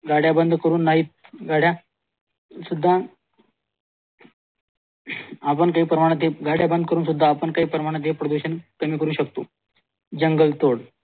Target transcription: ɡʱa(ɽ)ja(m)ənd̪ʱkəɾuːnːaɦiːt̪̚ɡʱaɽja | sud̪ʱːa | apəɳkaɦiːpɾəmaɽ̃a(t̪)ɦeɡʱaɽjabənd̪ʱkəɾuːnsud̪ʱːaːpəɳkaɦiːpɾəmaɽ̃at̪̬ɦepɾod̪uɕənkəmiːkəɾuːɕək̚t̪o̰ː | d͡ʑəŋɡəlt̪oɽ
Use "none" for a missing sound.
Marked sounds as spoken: ɽ, b, t̪

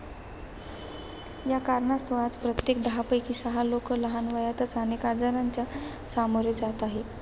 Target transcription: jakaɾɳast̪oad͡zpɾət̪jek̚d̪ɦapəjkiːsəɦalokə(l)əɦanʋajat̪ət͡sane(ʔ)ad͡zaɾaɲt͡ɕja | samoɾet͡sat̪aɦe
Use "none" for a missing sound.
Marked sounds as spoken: l, k

